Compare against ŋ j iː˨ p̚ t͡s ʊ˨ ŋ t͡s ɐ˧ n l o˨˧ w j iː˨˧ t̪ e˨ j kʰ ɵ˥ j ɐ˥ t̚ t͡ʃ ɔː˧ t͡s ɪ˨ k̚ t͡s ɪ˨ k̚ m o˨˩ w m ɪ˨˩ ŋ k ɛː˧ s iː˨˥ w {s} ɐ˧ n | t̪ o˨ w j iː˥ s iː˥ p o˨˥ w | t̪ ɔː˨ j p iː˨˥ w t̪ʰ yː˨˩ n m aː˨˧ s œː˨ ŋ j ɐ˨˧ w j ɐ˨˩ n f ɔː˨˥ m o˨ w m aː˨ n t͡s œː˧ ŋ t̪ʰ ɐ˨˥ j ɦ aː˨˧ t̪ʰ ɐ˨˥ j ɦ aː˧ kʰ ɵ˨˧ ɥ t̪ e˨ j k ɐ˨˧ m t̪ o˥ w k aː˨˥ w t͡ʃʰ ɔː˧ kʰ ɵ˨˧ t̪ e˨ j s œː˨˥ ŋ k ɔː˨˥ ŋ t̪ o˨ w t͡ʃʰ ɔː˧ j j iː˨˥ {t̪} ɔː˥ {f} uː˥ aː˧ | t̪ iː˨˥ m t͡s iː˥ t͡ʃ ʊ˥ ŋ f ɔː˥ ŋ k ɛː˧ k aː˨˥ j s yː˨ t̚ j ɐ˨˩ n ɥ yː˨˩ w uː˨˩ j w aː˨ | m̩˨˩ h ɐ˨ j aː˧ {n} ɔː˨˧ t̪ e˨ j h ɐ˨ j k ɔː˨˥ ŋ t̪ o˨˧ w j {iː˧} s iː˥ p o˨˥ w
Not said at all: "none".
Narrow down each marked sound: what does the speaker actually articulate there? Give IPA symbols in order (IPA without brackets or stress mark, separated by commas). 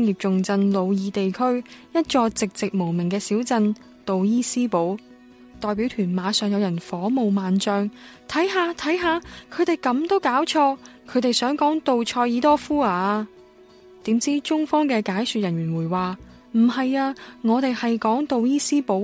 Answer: t͡s, t̪, f, ŋ, iː˥